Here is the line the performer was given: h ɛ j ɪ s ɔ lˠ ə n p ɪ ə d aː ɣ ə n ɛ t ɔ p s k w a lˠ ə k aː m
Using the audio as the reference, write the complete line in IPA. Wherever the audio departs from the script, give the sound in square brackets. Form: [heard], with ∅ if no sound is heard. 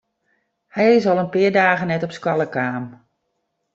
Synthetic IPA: h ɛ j ɪ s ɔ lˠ ə n p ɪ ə d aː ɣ ə n ɛ t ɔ p s k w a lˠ ə k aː m